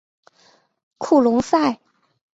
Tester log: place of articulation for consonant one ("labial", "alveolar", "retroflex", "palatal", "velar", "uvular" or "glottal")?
velar